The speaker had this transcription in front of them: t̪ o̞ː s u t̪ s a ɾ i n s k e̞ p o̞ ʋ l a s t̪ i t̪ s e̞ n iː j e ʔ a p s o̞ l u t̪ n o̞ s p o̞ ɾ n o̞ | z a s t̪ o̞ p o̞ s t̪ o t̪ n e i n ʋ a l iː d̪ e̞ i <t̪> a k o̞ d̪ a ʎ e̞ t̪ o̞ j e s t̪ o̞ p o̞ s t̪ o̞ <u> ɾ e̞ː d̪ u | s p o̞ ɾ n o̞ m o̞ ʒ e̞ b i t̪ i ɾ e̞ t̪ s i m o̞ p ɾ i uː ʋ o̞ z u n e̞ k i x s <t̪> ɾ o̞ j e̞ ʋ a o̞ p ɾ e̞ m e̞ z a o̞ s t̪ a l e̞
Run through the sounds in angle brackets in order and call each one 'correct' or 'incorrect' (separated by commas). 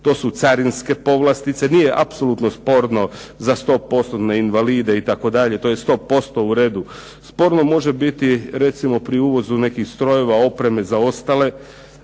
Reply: correct, correct, correct